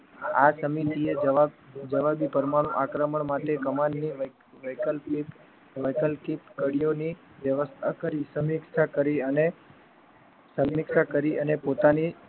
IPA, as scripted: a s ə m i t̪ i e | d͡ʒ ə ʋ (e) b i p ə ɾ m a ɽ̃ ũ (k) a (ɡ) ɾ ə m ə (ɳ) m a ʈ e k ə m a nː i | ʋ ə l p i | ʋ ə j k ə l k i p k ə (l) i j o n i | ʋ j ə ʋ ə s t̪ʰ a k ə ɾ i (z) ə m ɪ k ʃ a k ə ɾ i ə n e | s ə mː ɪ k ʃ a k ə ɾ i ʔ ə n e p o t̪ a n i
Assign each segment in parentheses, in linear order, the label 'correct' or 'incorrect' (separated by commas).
incorrect, incorrect, incorrect, correct, incorrect, incorrect